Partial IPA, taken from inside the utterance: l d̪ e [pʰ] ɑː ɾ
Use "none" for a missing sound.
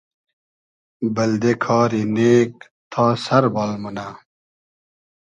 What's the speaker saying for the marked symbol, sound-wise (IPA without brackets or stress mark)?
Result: kʰ